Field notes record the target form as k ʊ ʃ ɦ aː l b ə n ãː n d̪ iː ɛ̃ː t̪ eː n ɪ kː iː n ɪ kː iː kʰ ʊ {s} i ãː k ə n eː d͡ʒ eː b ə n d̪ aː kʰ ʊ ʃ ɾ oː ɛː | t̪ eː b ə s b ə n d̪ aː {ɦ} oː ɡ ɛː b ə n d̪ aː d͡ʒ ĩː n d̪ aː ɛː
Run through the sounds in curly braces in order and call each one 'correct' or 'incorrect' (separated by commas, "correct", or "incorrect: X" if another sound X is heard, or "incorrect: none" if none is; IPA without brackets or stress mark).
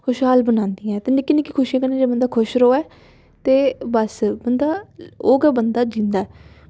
incorrect: ʃ, incorrect: none